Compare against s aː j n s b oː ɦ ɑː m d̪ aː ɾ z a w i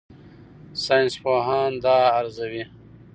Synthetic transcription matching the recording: s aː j n s p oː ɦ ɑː n d̪ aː ɾ z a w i